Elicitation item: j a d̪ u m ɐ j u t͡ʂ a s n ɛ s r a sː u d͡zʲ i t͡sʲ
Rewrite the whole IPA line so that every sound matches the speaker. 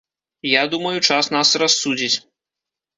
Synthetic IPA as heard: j a d̪ u m ɐ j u t͡ʂ a s n a s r a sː u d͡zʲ i t͡sʲ